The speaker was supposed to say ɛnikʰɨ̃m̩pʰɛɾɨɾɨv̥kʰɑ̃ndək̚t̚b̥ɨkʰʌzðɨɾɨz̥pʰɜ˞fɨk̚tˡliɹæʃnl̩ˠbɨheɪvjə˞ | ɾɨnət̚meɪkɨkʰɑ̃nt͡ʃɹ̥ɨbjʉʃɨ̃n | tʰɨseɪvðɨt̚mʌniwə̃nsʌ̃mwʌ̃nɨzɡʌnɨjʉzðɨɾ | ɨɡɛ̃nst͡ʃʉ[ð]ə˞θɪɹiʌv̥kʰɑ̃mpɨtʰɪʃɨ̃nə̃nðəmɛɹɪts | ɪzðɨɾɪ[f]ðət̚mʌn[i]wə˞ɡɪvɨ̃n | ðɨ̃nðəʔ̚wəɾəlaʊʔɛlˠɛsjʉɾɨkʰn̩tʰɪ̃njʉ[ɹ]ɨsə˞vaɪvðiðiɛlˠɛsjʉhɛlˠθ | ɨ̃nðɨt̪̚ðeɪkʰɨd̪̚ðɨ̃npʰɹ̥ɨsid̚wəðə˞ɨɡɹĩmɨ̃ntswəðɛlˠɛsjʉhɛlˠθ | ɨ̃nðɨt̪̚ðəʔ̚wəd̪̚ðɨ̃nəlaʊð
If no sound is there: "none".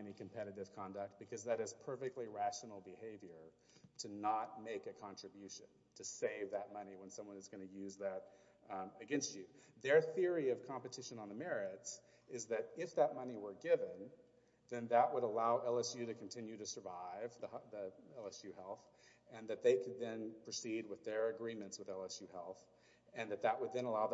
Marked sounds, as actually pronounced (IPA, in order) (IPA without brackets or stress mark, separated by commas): ð, f, i, ɾ